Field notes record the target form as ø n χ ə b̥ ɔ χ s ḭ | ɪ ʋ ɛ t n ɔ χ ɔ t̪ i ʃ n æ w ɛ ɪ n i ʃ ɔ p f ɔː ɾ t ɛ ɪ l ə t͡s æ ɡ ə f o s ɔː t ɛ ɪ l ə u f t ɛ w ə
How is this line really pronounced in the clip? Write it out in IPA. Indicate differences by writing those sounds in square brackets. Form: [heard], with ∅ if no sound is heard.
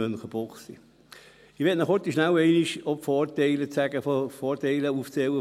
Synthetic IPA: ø n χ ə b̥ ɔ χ s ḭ | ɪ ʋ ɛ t n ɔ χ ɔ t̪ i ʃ n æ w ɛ ɪ n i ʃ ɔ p f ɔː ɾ t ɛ ɪ l ə t͡s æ ɡ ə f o [f] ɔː t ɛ ɪ l ə u f [t͡s] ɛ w ə